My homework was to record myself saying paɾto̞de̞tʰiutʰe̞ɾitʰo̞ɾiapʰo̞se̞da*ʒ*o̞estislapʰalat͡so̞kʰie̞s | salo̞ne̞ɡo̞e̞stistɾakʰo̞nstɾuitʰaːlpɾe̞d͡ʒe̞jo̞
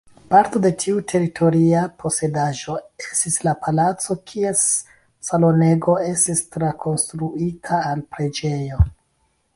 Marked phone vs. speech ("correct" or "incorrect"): correct